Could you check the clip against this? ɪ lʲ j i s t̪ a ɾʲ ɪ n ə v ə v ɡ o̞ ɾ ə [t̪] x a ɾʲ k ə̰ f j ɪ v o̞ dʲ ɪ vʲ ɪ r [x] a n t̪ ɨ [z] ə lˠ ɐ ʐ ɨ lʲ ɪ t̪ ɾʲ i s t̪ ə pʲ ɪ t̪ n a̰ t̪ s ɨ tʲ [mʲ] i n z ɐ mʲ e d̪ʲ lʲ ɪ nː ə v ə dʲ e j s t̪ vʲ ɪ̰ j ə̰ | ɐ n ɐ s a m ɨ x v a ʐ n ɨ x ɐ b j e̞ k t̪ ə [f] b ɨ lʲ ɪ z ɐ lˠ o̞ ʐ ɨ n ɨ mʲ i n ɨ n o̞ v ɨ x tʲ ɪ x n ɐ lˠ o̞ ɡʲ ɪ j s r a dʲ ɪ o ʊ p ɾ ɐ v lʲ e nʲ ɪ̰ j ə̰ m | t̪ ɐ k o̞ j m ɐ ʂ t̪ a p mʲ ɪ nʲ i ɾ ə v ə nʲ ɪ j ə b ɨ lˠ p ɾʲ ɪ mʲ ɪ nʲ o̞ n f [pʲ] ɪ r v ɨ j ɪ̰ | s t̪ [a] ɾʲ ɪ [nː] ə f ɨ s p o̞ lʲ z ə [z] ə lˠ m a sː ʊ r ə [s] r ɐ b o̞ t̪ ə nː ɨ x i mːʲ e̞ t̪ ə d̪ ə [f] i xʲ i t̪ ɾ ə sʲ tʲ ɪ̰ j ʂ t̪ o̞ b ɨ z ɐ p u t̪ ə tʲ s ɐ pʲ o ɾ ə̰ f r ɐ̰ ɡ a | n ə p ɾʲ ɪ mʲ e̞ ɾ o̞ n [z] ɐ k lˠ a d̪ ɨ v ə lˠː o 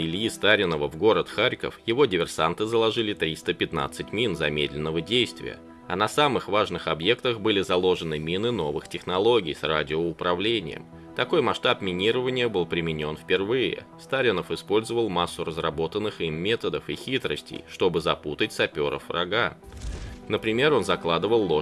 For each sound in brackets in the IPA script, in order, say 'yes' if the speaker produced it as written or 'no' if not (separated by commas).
yes, no, yes, yes, no, yes, yes, no, no, no, yes, yes